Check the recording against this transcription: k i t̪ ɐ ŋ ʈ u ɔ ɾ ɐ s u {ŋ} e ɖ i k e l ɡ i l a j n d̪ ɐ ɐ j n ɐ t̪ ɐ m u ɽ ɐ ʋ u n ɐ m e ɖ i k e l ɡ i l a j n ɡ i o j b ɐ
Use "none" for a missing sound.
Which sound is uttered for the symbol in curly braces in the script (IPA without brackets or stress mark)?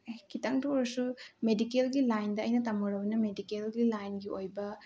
m